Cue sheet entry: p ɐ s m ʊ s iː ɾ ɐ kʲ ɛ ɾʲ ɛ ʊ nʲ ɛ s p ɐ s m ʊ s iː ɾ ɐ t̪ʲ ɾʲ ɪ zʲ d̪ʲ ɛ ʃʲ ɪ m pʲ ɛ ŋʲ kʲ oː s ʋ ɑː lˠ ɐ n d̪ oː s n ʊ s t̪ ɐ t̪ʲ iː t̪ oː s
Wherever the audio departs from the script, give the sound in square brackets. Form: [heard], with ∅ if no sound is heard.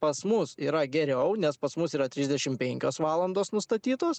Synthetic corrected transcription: p ɐ s m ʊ s iː ɾ ɐ [ɡʲ] ɛ ɾʲ ɛ ʊ nʲ ɛ s p ɐ s m ʊ s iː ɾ ɐ t̪ʲ ɾʲ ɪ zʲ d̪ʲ ɛ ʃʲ ɪ m pʲ ɛ ŋʲ kʲ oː s ʋ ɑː lˠ ɐ n d̪ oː s n ʊ s t̪ ɐ t̪ʲ iː t̪ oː s